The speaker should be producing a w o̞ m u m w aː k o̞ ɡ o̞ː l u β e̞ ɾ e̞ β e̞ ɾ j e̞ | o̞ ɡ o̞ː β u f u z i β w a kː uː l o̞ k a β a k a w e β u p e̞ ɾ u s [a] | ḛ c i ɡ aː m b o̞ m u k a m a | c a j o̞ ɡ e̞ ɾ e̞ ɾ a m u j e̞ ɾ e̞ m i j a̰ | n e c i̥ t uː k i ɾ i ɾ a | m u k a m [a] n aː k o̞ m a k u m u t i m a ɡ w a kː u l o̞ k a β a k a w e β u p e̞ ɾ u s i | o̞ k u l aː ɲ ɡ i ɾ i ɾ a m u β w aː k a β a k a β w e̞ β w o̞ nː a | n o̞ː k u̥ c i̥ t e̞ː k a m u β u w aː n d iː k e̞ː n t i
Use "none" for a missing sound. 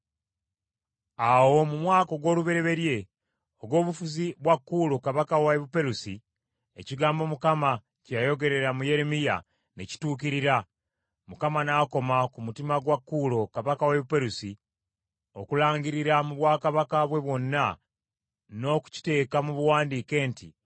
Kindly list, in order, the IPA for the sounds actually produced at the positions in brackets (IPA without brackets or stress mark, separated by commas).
i, a